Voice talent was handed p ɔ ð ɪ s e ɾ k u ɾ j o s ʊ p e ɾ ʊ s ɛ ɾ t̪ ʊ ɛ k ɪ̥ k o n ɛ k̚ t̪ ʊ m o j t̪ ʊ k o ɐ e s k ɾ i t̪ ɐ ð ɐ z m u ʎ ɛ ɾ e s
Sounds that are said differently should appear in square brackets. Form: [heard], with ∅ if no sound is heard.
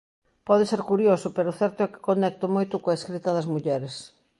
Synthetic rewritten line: p ɔ ð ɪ s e ɾ k u ɾ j o s ʊ p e ɾ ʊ [θ] ɛ ɾ t̪ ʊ ɛ k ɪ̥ k o n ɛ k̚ t̪ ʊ m o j t̪ ʊ k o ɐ e s k ɾ i t̪ ɐ ð ɐ z m u ʎ ɛ ɾ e s